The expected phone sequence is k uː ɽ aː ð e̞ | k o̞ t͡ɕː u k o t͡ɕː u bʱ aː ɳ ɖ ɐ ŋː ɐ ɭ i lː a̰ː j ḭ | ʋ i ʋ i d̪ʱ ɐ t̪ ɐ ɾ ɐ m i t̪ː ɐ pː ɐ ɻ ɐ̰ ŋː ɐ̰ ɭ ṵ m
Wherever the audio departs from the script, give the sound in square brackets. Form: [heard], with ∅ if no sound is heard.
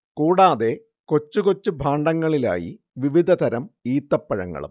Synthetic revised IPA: k uː ɽ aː ð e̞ | k o̞ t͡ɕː u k o t͡ɕː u bʱ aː ɳ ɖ ɐ ŋː ɐ ɭ i [l] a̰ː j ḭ | ʋ i ʋ i d̪ʱ ɐ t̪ ɐ ɾ ɐ m [iː] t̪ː ɐ pː ɐ ɻ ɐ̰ ŋː ɐ̰ ɭ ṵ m